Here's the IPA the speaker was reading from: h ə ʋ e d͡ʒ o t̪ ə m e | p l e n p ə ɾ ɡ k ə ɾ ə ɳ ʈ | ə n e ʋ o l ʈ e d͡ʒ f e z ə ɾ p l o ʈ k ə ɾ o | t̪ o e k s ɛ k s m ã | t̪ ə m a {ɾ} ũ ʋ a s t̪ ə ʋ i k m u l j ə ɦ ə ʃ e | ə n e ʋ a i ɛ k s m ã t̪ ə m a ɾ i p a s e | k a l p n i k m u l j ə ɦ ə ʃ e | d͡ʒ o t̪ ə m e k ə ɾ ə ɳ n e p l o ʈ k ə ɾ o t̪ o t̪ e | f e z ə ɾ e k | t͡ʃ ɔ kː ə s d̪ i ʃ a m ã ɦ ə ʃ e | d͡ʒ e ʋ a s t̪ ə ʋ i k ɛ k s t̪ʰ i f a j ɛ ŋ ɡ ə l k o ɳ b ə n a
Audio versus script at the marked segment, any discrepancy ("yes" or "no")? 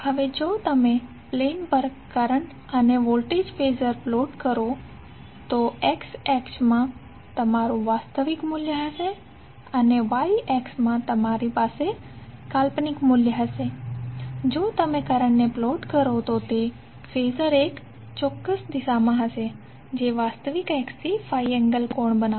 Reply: no